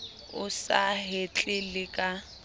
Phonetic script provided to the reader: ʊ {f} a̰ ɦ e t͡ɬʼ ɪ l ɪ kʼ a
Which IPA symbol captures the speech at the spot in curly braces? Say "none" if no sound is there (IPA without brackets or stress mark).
s